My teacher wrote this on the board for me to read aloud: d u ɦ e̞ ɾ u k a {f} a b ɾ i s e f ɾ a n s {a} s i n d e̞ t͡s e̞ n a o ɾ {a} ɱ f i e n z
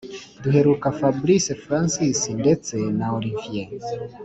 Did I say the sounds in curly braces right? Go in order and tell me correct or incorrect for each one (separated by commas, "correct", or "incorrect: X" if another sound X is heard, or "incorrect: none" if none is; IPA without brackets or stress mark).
correct, incorrect: i, incorrect: i